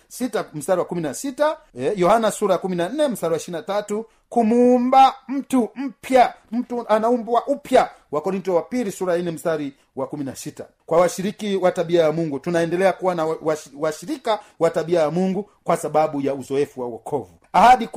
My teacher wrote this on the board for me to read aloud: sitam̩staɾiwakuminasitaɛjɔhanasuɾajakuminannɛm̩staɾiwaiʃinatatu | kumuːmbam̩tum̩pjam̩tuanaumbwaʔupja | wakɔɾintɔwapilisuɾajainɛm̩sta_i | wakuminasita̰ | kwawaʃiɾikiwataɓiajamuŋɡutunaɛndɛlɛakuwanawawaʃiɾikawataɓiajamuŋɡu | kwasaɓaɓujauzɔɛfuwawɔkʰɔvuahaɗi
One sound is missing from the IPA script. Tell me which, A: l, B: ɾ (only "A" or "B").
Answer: B